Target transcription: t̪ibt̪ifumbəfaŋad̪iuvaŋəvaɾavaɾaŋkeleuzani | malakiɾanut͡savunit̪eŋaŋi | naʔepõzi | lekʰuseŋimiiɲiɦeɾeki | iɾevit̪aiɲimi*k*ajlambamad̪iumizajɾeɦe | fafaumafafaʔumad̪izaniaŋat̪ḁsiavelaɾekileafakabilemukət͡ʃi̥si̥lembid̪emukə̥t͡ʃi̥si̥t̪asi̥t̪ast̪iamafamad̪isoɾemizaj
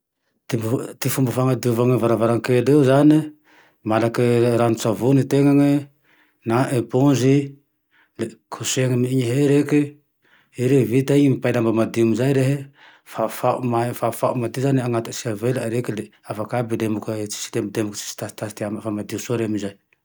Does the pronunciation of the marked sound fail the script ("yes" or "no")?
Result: yes